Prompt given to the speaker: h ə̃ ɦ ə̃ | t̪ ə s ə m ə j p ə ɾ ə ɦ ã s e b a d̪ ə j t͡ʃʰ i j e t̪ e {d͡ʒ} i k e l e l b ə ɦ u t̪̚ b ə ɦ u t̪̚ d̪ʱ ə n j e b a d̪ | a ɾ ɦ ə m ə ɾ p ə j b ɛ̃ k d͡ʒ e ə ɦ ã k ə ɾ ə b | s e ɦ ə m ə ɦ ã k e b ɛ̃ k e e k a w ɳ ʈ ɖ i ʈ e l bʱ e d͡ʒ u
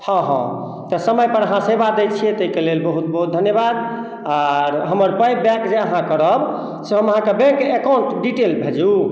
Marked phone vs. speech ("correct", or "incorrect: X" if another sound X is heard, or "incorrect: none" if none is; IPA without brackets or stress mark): incorrect: none